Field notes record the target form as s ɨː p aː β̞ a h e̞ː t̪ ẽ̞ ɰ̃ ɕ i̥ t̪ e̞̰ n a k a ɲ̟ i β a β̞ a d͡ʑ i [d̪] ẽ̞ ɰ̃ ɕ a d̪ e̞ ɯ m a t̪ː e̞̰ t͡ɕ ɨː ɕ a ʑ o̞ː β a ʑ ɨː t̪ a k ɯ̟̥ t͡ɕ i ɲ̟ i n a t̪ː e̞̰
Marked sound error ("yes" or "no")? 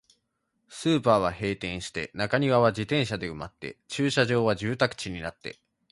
yes